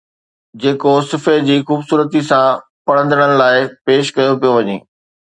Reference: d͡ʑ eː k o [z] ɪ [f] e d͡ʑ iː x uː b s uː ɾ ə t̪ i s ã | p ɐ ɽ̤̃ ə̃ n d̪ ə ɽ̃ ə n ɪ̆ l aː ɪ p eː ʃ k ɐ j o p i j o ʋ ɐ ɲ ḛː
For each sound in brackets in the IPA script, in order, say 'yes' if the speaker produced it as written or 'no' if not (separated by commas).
no, yes